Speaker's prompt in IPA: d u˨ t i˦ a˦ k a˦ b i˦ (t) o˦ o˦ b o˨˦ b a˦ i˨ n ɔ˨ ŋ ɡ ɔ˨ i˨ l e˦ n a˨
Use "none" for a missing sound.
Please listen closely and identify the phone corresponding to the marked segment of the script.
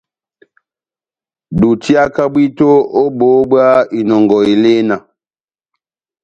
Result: t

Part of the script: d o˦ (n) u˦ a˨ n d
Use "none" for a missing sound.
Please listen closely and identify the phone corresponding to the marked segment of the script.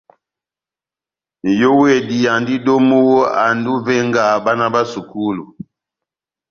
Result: m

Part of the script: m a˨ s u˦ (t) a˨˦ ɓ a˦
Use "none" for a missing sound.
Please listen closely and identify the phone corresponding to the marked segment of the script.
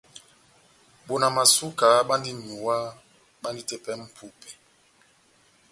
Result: k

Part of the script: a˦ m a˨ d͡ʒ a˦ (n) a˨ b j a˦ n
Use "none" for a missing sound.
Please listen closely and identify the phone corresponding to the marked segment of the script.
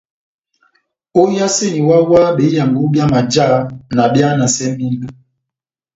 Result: n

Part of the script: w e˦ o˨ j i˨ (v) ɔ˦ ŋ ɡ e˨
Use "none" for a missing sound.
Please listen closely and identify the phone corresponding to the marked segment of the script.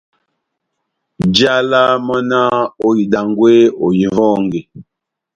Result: v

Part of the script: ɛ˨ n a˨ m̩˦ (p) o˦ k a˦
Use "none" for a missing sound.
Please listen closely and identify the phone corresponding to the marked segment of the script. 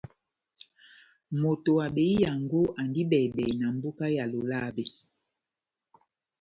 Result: b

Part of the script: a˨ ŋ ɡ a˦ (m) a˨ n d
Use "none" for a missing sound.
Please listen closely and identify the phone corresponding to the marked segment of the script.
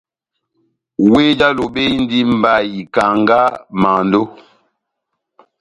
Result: m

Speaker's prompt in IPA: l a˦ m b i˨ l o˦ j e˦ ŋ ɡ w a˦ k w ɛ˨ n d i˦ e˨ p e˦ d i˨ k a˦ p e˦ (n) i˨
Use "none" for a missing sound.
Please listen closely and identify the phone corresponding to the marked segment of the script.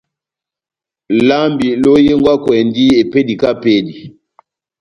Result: d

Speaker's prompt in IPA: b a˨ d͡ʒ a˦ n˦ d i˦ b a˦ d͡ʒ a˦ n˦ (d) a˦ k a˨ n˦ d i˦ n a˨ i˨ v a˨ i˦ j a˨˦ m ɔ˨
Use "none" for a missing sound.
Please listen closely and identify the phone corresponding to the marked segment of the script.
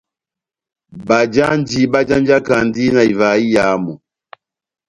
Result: d͡ʒ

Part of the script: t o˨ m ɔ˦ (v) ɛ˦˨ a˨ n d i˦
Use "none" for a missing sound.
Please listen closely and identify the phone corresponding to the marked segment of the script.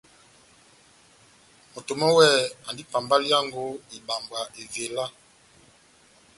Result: w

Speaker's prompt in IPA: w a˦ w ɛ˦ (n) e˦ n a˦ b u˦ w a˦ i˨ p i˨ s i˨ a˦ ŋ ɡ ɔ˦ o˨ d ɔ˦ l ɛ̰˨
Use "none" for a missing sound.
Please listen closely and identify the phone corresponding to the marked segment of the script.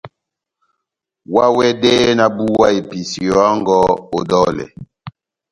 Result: d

